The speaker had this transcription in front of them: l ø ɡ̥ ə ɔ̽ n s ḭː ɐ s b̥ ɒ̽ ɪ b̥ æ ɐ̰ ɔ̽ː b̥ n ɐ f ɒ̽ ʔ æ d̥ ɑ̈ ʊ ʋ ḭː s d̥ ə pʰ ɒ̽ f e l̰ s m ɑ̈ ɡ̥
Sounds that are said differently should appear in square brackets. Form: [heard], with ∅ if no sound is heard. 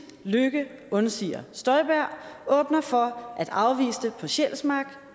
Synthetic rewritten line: l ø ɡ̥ ə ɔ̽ n s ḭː ɐ s [d̥] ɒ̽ ɪ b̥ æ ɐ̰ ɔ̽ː b̥ n ɐ f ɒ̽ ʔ æ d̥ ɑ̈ ʊ ʋ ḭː s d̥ ə pʰ ɒ̽ [ɕ] e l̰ s m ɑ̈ ɡ̥